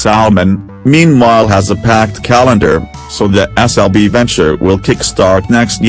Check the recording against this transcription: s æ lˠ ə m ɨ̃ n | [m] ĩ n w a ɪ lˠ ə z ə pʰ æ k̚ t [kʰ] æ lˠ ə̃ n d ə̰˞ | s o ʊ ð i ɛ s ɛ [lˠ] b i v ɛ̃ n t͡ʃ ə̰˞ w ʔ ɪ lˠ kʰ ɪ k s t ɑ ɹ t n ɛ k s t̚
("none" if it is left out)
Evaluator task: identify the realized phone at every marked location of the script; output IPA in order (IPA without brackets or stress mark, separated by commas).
m, kʰ, lˠ